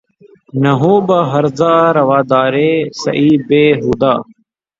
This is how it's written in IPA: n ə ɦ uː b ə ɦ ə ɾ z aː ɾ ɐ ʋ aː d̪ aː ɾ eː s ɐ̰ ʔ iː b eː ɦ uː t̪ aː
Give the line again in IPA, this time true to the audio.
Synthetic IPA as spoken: n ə ɦ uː b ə ɦ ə ɾ z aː ɾ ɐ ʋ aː d̪ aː ɾ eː s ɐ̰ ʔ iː b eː ɦ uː d̪ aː